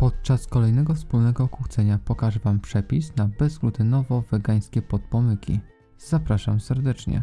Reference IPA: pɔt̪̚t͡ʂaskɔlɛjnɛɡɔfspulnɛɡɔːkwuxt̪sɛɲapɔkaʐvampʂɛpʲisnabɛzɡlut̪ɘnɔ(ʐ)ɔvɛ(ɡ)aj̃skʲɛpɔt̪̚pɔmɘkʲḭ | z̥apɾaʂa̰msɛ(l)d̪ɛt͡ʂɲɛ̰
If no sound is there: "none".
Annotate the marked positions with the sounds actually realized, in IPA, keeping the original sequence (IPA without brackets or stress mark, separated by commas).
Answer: v, ɡ, ɾ